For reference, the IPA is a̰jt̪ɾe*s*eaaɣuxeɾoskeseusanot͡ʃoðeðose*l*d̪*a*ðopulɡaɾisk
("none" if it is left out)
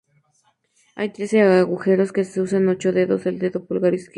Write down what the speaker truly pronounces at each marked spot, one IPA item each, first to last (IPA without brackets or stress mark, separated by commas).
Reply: s, l, e